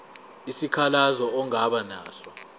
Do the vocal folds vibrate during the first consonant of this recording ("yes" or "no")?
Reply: no